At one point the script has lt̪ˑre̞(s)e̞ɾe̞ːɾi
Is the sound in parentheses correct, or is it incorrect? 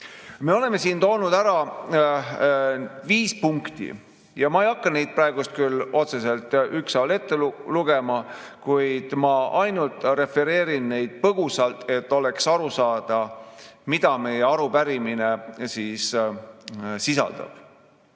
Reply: incorrect